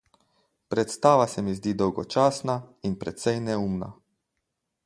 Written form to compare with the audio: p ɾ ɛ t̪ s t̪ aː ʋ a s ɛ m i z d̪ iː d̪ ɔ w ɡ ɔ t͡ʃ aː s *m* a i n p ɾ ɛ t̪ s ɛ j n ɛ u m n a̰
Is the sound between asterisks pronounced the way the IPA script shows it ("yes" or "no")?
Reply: no